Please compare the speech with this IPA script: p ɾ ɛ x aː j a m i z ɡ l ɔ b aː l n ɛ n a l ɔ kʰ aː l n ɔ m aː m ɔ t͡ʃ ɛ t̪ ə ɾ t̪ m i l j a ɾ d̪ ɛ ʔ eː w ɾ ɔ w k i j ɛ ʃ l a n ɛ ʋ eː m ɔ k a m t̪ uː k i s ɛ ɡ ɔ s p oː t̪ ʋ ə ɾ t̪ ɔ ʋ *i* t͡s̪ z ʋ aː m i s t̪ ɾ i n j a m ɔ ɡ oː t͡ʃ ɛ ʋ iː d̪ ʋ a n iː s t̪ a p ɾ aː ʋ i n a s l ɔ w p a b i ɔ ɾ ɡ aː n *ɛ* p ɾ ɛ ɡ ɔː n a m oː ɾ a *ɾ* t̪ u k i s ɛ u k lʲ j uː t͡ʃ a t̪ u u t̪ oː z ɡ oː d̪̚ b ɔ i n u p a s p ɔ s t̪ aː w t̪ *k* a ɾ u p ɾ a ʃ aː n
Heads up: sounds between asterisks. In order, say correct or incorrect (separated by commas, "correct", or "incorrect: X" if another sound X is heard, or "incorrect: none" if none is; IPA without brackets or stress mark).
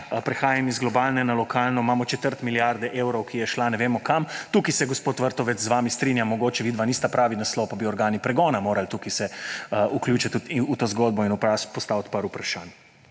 incorrect: ɛ, incorrect: i, incorrect: l, incorrect: p